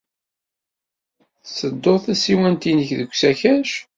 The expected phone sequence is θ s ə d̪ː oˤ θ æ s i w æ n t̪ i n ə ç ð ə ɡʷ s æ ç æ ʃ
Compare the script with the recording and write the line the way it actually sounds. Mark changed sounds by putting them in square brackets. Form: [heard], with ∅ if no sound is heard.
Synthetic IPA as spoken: θ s ə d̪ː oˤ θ æ s i w æ n t̪ i n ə ç ð ə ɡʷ s æ ç æ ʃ